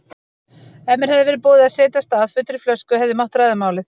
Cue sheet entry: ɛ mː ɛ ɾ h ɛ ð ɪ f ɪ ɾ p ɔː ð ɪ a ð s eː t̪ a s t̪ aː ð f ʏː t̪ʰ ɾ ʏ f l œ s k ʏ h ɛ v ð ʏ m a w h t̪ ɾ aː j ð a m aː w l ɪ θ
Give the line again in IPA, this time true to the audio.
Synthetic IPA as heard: ɛ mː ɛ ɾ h ɛ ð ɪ v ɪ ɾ p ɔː ð ɪ a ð s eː t̪ a s t̪ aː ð f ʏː t̪ ɾ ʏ f l œ s k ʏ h ɛ v ð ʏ m a w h t̪ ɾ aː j ð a m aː w l ɪ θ